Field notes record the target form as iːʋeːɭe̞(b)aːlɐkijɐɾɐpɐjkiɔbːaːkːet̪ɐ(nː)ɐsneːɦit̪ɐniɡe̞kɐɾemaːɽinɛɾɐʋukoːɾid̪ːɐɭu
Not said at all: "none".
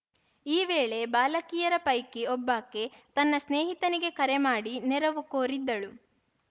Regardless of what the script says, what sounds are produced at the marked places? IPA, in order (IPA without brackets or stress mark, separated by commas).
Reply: b, nː